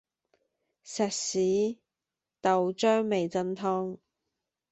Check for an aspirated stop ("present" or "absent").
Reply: present